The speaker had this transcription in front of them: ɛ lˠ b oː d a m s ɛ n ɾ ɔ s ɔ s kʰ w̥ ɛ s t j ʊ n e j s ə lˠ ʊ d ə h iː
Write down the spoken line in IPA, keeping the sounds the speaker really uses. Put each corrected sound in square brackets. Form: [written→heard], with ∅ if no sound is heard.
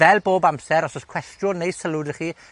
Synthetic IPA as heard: ɛ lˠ b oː [d→b] a m s ɛ [n→∅] ɾ ɔ s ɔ s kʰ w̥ ɛ s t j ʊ n e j s ə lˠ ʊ d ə [h→χ] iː